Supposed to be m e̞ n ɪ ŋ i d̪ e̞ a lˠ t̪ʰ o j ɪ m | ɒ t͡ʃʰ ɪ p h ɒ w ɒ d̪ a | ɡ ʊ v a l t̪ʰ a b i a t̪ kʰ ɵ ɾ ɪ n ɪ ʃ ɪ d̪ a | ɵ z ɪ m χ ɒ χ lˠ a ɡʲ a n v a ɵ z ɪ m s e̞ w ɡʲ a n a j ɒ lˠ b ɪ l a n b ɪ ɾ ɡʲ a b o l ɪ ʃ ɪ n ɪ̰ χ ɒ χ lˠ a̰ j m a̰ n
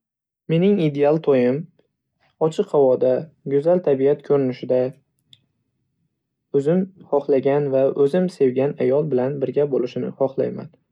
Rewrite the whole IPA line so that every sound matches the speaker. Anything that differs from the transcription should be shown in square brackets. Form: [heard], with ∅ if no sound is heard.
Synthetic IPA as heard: m e̞ n ɪ ŋ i d̪ e̞ a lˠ t̪ʰ o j ɪ m | ɒ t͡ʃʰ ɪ [q] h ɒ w ɒ d̪ a | ɡ ʊ [z] a l t̪ʰ a b i a t̪ kʰ ɵ ɾ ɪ n ɪ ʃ ɪ d̪ a | ɵ z ɪ m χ ɒ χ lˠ a ɡʲ a n v a ɵ z ɪ m s e̞ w ɡʲ a n a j ɒ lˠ b ɪ l a n b ɪ ɾ ɡʲ a b o l ɪ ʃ ɪ n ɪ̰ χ ɒ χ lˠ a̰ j m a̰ n